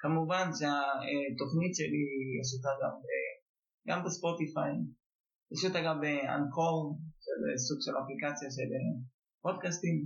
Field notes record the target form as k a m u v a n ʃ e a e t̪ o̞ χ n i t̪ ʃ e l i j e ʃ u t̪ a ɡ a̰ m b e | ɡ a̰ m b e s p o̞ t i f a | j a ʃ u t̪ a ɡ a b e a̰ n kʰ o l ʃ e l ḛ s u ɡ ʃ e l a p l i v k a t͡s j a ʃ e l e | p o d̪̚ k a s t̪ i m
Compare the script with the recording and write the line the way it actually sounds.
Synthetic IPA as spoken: k a m u v a n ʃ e a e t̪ o̞ χ n i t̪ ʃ e l i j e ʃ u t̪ a ɡ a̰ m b e | ɡ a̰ m b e s p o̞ t i f a | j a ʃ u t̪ a ɡ a b e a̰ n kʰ o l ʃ e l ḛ s u ɡ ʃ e l a p l i k a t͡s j a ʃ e l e | p o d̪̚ k a s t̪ i m